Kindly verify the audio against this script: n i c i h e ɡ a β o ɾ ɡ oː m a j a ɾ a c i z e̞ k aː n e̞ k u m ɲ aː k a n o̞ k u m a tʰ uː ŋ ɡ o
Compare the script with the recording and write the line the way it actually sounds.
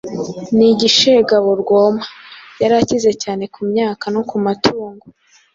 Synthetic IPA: n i ɟ i ʃ e ɡ a β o ɾ ɡ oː m a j a ɾ a c i z e̞ c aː n e̞ k u m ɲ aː k a n o̞ k u m a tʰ uː ŋ ɡ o